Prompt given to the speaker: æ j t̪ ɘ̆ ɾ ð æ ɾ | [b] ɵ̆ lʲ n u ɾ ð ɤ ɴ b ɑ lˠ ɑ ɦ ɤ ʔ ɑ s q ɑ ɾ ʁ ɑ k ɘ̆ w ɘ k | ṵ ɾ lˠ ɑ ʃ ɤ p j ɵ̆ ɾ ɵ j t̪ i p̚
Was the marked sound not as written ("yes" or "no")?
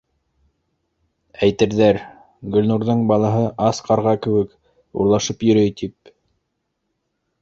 yes